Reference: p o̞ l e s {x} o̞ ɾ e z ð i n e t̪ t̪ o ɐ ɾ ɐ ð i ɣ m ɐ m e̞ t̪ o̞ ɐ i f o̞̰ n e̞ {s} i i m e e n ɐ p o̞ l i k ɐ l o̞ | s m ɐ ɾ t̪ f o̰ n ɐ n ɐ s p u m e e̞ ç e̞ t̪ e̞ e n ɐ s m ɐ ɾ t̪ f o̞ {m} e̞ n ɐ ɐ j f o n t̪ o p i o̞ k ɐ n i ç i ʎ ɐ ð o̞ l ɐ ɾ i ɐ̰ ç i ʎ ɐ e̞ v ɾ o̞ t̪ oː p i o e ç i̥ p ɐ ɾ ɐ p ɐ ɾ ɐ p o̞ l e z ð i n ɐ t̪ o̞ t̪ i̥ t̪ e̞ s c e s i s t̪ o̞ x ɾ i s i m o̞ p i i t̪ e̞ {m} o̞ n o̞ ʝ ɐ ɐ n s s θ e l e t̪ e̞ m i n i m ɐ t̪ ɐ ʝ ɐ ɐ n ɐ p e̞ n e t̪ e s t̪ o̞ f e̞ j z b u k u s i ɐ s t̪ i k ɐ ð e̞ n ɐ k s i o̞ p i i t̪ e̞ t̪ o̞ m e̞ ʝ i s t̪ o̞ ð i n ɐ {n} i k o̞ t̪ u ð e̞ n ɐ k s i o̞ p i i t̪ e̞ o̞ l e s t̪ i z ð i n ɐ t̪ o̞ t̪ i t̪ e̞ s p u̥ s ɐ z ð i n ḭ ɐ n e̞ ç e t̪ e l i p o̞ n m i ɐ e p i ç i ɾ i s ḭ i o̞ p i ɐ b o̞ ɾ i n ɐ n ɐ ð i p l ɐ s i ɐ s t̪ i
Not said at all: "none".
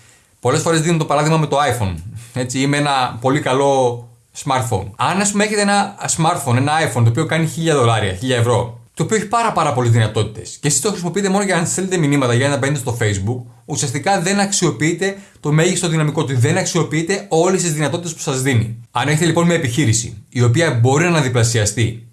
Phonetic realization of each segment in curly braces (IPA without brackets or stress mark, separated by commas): f, t͡s, n, m, m